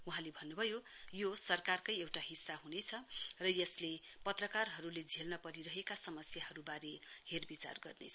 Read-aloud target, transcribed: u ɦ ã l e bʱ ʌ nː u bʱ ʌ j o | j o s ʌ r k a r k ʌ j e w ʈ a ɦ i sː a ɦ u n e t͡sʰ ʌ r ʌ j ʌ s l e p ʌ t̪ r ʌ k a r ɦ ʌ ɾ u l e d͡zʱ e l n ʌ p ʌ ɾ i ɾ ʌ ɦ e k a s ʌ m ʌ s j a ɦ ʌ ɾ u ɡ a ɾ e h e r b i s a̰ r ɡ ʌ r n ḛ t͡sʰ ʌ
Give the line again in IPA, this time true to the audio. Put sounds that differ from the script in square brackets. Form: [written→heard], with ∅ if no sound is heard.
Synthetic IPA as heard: u ɦ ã l e bʱ ʌ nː u bʱ ʌ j o | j o s ʌ r k a r k ʌ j e w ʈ a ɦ i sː a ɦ u n e t͡sʰ ʌ r ʌ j ʌ s l e p ʌ t̪ r ʌ k a r ɦ ʌ ɾ u l e d͡zʱ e l n ʌ p ʌ ɾ i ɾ ʌ ɦ e k a s ʌ m ʌ s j a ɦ ʌ ɾ u [ɡ→b] a ɾ e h e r b i [s→t͡s] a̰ r ɡ ʌ r n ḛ t͡sʰ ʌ